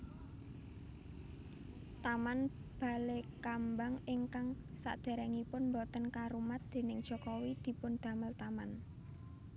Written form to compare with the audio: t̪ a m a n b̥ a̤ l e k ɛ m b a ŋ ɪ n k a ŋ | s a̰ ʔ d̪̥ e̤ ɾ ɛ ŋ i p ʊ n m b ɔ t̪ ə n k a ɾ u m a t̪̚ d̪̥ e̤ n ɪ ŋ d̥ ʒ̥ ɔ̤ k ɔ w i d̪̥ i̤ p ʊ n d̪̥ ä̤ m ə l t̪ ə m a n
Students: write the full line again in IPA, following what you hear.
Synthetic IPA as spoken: t̪ a m a n b̥ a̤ l e k a m b a ŋ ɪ ŋ k a ŋ | s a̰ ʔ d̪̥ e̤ ɾ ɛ ŋ i p ʊ n m b ɔ t̪ ə n k a ɾ u m a t̪̚ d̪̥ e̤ n ɪ ŋ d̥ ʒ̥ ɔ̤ k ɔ w i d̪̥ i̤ p ʊ n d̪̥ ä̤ m ə l t̪ a m a n